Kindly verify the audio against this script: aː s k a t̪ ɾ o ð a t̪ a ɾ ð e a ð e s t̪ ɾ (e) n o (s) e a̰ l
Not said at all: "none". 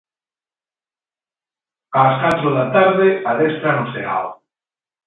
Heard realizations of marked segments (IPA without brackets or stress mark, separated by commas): a, s